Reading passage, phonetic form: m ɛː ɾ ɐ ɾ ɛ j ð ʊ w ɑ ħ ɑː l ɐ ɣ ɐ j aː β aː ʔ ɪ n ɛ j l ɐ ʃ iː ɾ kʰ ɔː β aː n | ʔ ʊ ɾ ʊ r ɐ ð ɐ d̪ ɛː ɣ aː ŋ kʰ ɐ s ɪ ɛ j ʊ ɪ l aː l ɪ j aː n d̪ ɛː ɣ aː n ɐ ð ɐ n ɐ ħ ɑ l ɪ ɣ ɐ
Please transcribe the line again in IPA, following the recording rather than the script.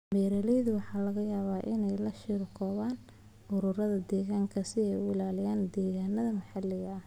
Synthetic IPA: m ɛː ɾ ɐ l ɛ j ð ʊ w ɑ ħ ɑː l ɐ ɣ ɐ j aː β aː ʔ ɪ n ɛ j l ɐ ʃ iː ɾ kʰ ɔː β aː n | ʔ ʊ ɾ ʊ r ɐ ð ɐ d̪ ɛː ɣ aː ŋ kʰ ɐ s ɪ ɛ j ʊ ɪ l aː l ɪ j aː n d̪ ɛː ɣ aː n ɐ ð ɐ m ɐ ħ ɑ l ɪ ɣ ɐ

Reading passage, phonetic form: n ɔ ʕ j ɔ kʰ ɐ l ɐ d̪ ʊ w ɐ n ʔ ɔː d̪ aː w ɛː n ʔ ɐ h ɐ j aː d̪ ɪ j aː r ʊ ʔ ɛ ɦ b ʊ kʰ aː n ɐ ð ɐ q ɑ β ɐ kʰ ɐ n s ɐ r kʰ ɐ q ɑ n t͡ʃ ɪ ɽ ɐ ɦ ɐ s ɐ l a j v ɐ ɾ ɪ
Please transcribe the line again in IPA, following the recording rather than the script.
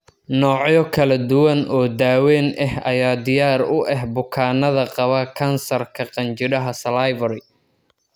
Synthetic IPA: n ɔː ʕ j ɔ kʰ ɐ l ɐ d̪ ʊ w ɐ n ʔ ɔː d̪ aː w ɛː n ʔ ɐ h ɐ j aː d̪ ɪ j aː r ʊ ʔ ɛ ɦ b ʊ kʰ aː n ɐ ð ɐ q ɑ β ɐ kʰ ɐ n s ɐ r kʰ ɐ q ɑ n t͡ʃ ɪ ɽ ɐ ɦ ɐ s ɐ l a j v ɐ ɾ ɪ

